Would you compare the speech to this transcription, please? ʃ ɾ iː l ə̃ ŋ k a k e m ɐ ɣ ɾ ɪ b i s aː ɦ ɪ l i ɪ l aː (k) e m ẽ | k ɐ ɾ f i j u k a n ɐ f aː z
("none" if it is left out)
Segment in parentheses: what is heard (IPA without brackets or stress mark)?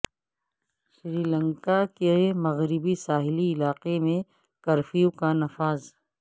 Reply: q